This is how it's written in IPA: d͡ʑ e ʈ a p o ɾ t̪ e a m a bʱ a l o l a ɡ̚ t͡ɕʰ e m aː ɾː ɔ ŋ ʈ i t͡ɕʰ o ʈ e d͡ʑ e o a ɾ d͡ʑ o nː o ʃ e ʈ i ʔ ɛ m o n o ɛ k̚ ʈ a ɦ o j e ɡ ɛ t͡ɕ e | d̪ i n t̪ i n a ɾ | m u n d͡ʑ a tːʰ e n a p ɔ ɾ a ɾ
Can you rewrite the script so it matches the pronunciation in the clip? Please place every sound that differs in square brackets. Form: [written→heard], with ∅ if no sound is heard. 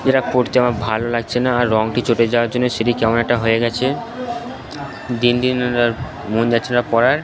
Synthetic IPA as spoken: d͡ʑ e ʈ a p o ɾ t̪ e a m a bʱ a l o l a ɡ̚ t͡ɕʰ e [m→n] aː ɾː ɔ ŋ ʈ i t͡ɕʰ o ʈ e d͡ʑ [e→a] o a ɾ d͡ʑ o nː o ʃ e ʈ i [ʔ→k] ɛ m o n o ɛ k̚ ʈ a ɦ o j e ɡ ɛ [t͡ɕ→t͡ɕʰ] e | d̪ i n [t̪→d̪] i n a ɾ | m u n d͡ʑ a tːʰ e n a p ɔ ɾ a ɾ